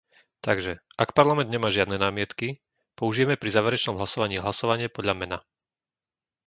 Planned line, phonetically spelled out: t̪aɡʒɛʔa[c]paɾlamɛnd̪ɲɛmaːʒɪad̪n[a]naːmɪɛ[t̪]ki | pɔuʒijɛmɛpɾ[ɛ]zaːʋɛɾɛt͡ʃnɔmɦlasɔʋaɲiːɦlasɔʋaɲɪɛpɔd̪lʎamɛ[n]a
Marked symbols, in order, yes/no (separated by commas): no, no, yes, no, yes